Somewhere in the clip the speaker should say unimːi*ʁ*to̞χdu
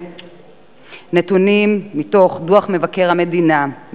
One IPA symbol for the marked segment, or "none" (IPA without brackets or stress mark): none